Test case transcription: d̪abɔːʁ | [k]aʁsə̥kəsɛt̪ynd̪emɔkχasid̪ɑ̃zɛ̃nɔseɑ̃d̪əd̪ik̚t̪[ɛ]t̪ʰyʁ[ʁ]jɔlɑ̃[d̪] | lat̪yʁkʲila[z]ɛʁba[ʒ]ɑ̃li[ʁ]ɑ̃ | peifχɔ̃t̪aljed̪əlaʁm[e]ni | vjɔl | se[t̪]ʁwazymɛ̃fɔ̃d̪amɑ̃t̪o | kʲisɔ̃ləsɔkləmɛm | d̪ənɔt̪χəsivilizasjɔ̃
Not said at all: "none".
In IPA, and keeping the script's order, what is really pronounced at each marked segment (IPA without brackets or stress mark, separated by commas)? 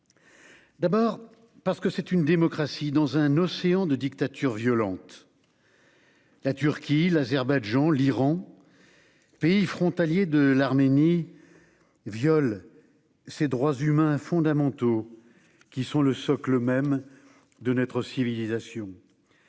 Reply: p, a, v, t̪, z, ʒ, ʁ, e, d̪